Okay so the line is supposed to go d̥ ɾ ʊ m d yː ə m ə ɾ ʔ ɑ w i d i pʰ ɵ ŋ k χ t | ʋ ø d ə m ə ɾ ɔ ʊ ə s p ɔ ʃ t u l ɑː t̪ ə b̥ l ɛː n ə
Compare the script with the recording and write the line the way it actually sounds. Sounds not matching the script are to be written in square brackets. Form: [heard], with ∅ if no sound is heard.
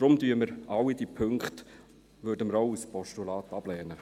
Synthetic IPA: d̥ ɾ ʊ m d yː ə m ə ɾ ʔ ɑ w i d i pʰ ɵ ŋ k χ t | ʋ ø d ə m ə ɾ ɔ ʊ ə s p ɔ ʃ t u l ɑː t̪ [ɑ] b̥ l ɛː n ə